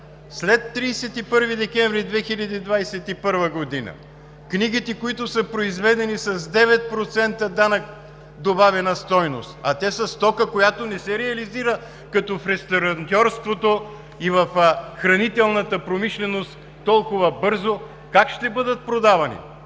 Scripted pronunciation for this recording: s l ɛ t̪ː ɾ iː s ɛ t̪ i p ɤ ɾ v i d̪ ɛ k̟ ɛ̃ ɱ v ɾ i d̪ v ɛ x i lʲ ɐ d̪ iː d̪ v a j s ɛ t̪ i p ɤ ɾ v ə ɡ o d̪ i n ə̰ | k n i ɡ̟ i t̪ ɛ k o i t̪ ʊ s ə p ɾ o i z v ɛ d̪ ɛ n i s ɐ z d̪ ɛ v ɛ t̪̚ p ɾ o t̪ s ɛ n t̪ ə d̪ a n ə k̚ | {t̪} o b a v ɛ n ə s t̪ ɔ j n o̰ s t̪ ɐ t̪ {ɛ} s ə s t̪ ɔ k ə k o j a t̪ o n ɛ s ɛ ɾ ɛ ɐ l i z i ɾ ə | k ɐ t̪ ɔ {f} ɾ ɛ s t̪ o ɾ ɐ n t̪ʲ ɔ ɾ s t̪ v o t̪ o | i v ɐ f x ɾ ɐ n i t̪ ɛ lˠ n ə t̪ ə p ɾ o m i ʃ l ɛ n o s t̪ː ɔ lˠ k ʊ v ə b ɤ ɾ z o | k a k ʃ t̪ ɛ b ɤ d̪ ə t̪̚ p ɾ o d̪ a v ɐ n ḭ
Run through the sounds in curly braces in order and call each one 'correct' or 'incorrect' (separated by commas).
incorrect, correct, correct